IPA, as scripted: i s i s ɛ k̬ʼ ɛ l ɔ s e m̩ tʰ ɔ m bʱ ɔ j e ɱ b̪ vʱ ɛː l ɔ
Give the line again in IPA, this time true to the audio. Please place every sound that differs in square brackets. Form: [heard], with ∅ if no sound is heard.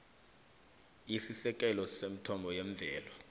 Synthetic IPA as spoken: i s i s ɛ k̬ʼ ɛ l ɔ s e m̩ tʰ ɔ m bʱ ɔ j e ɱ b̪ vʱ ɛː l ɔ